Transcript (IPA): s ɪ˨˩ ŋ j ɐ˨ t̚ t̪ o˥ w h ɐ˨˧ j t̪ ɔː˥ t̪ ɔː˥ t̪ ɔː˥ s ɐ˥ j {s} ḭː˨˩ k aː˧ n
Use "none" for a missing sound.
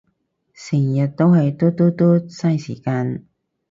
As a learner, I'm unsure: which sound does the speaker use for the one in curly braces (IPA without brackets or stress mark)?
s